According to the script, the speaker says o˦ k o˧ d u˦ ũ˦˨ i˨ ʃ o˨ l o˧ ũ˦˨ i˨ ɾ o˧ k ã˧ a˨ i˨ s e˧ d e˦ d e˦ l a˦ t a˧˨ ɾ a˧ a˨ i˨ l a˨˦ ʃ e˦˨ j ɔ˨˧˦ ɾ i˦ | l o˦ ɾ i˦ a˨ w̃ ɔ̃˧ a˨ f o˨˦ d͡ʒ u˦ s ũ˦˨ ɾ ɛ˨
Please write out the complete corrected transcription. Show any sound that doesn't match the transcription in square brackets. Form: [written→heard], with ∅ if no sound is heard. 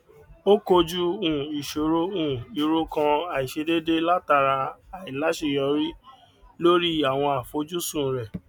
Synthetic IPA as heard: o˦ k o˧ [d→d͡ʒ] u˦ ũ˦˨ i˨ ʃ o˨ [l→ɾ] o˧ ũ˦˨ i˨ ɾ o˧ k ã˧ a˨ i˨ [s→ʃ] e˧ d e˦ d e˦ l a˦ t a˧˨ ɾ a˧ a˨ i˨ l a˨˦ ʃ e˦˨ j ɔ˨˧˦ ɾ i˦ | l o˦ ɾ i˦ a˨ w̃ ɔ̃˧ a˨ f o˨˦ d͡ʒ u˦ s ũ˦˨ ɾ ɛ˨